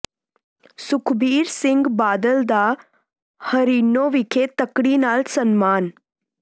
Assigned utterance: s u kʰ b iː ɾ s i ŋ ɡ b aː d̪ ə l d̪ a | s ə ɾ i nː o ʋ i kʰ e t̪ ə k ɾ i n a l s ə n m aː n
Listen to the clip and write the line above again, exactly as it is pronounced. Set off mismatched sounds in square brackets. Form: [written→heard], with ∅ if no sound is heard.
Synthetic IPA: s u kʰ b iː ɾ s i ŋ ɡ b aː d̪ ə l d̪ a | [s→h] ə ɾ i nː o ʋ i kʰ e t̪ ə k [ɾ→ɽ] i n a l s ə n m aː n